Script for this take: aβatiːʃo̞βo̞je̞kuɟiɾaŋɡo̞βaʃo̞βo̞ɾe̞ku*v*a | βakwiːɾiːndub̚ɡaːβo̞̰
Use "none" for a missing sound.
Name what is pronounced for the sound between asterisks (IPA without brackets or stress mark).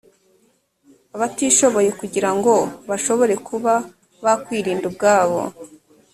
β